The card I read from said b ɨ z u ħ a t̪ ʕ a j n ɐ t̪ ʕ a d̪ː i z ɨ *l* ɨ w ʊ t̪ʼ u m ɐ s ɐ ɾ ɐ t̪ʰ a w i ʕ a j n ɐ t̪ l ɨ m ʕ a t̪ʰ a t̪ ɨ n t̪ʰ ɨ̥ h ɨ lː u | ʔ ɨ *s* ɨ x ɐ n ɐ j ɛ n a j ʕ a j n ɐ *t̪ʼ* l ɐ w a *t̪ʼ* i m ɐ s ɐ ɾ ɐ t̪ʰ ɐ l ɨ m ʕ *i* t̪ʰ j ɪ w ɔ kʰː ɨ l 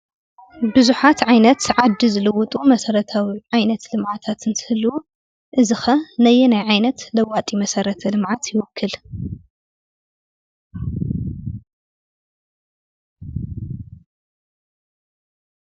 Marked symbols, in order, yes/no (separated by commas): yes, no, no, yes, no